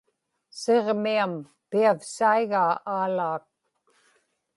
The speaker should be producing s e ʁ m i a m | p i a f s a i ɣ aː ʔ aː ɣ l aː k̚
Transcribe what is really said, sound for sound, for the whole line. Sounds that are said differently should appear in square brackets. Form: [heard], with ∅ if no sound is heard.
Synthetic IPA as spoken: s e ʁ m i a m | p i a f s a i ɣ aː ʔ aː [∅] l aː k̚